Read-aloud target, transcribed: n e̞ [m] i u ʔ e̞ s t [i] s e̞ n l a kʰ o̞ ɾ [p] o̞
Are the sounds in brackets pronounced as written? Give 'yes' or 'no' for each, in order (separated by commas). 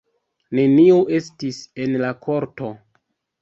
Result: no, yes, no